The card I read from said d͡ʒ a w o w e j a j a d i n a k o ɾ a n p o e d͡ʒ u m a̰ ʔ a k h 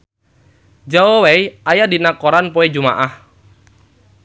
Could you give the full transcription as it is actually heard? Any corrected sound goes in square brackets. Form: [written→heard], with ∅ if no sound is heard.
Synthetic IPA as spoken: d͡ʒ a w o w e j a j a d i n a k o ɾ a n p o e d͡ʒ u m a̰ ʔ a [k→∅] h